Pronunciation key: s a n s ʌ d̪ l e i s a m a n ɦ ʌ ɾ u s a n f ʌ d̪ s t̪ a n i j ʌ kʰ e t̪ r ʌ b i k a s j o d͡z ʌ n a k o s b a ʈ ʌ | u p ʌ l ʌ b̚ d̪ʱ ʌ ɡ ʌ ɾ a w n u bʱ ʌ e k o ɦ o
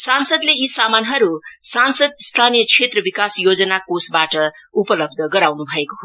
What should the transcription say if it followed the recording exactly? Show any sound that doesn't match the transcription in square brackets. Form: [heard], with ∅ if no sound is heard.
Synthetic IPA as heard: s a n s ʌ d̪ l e i s a m a n ɦ ʌ ɾ u s a n [s] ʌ d̪ s [t̪ʰ] a n i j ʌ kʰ e t̪ r ʌ b i k a s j o d͡z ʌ n a k o s b a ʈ ʌ | u p ʌ l ʌ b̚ d̪ʱ ʌ ɡ ʌ ɾ a w n u bʱ ʌ e k o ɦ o